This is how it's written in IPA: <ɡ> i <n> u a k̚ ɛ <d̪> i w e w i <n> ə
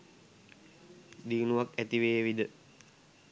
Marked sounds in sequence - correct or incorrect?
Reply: incorrect: d, correct, incorrect: t̪, incorrect: d

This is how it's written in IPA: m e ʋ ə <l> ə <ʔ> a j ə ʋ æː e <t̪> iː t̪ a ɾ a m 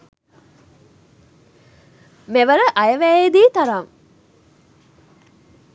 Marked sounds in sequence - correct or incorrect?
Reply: incorrect: ɾ, correct, incorrect: d̪

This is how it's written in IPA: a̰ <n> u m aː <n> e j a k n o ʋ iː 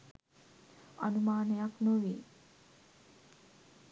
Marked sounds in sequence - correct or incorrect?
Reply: correct, correct

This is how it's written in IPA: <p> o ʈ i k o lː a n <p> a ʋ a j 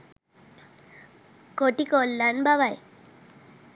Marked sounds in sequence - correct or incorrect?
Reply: incorrect: k, incorrect: b

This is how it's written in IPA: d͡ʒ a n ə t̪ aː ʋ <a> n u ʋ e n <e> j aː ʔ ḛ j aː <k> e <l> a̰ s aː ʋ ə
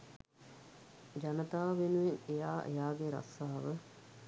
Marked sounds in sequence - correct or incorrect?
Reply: incorrect: e, correct, incorrect: ɡ, incorrect: ɾ

